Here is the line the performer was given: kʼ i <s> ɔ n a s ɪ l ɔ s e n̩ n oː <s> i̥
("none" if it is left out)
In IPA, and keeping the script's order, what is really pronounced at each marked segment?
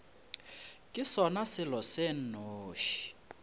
s, ʃ

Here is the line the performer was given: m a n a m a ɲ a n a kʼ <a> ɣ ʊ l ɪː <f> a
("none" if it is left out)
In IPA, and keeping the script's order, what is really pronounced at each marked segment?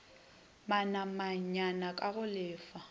a, f

